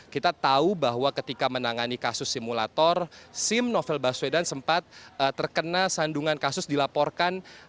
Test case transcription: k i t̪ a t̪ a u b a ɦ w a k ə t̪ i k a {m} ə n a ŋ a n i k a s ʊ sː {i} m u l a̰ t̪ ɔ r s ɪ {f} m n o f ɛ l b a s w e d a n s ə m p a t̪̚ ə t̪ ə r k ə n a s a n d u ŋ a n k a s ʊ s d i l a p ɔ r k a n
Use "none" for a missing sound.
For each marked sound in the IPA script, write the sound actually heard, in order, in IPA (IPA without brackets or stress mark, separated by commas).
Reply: m, i, none